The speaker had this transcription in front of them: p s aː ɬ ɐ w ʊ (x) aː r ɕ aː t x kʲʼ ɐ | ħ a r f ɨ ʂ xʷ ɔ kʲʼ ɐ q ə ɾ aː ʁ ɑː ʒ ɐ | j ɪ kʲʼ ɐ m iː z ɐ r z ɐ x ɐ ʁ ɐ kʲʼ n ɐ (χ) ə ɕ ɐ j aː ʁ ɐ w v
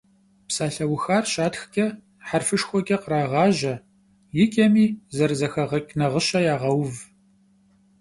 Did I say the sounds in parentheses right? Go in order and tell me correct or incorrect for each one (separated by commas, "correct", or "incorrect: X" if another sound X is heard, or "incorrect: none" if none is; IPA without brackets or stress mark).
correct, incorrect: ʁ